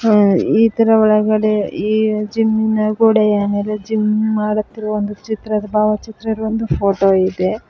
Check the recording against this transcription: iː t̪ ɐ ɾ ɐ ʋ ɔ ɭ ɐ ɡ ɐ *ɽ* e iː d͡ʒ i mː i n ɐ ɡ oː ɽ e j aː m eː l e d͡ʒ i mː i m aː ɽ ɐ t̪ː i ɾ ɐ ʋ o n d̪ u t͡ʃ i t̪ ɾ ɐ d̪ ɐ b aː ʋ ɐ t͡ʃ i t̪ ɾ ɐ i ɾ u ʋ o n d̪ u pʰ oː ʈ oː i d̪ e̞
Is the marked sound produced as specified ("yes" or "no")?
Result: yes